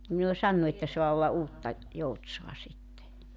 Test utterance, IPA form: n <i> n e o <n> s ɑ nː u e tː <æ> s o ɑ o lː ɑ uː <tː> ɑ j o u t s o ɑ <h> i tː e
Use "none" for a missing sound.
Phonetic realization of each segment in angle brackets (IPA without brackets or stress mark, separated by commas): i, none, æ, tː, s